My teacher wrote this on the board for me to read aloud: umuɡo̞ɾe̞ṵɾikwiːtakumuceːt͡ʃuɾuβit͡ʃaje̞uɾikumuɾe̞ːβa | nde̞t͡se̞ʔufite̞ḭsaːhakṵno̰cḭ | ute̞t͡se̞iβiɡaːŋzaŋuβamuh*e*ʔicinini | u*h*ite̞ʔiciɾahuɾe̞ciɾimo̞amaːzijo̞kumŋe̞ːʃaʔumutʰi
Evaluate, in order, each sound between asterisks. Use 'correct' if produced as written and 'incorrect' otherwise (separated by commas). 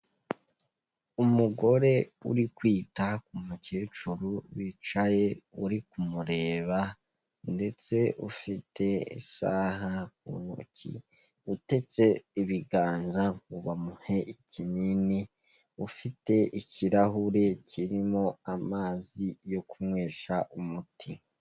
correct, incorrect